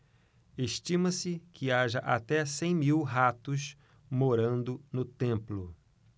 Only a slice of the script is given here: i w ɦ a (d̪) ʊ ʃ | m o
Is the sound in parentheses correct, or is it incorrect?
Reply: incorrect